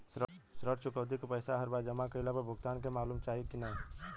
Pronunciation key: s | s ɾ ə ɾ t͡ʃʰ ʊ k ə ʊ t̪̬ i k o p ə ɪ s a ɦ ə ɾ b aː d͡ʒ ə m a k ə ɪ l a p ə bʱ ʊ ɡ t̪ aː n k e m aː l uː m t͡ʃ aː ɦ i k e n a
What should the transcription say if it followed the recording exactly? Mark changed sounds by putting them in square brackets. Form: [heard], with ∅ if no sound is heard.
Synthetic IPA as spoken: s | s ɾ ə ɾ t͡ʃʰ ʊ k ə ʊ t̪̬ i k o p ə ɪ s a ɦ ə ɾ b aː d͡ʒ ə m a k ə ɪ l a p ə bʱ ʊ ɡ t̪ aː n k e m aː l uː m t͡ʃ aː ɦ i k [i] n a